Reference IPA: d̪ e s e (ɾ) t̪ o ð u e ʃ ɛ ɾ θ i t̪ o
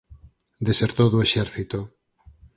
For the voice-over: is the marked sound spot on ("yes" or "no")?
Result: yes